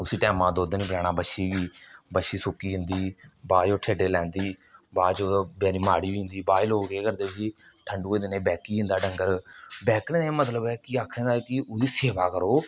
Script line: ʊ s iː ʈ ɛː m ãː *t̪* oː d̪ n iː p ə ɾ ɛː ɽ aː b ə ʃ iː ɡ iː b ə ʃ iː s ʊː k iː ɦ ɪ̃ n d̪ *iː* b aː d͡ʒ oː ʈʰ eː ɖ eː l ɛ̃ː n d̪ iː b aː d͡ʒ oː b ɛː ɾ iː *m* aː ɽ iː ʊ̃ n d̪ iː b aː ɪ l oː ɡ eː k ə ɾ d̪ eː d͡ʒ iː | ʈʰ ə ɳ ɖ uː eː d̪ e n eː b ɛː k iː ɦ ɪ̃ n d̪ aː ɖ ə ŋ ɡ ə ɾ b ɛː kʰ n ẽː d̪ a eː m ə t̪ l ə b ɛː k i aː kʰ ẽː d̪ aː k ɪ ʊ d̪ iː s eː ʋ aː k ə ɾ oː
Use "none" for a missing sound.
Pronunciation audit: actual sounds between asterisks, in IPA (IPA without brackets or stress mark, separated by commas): d̪, iː, m